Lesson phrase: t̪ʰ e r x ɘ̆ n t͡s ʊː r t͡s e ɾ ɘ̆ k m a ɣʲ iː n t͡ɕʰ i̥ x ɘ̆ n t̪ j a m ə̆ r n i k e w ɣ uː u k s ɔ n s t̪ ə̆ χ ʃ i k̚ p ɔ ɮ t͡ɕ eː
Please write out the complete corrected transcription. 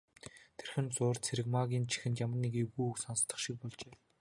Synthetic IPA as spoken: t̪ʰ e r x ɘ̆ n t͡s ʊː r t͡sʰ e ɾ ɘ̆ k m a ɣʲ iː n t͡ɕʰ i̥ x ɘ̆ n t̪ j a m ə̆ r n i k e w ɣ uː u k s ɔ n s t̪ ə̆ χ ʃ i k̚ p ɔ ɮ t͡ɕ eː